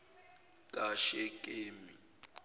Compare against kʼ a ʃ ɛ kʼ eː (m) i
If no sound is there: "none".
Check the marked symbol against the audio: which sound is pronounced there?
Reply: m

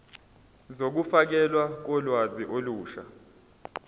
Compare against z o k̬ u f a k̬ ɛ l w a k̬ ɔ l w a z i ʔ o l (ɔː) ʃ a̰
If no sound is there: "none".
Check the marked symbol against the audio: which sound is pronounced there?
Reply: uː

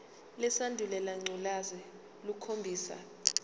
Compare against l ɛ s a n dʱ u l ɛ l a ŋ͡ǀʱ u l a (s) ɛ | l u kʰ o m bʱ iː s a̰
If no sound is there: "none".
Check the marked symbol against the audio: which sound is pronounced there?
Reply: z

